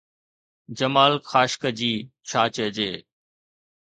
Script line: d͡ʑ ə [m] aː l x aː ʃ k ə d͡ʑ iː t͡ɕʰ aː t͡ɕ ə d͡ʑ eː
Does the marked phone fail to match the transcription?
no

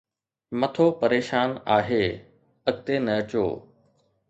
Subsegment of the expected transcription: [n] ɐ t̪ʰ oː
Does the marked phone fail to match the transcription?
yes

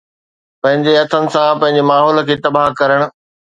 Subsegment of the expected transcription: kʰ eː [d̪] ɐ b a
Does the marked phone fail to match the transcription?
yes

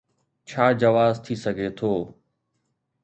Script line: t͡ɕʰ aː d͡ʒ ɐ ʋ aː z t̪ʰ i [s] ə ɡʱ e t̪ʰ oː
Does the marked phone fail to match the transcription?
no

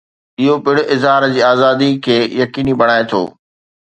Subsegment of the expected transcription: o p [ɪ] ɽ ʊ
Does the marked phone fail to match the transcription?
no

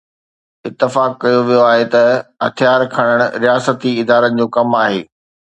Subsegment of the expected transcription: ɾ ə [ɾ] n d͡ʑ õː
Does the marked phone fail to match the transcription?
yes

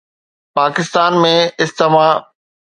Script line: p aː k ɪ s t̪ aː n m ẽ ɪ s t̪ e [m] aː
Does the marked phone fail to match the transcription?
no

